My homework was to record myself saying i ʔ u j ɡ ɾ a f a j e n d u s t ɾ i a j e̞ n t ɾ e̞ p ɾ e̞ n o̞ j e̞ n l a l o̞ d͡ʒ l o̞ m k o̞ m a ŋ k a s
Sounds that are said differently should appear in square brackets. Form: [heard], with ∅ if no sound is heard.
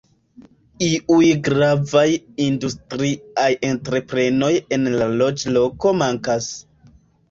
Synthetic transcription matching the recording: i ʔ u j ɡ ɾ a [v] a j [i] n d u s t ɾ i a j e̞ n t ɾ e̞ p ɾ e̞ n o̞ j e̞ n l a l o̞ d͡ʒ l o̞ [∅] k o̞ m a ŋ k a s